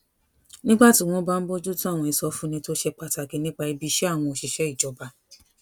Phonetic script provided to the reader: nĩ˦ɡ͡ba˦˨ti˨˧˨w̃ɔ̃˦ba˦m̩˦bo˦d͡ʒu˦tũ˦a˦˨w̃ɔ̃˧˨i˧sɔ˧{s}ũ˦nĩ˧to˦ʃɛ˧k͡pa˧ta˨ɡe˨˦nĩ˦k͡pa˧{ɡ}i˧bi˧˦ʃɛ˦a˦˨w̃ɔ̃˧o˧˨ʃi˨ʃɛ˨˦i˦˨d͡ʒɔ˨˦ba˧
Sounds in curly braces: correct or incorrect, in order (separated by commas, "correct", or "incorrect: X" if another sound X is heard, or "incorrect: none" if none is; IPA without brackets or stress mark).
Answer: incorrect: f, incorrect: none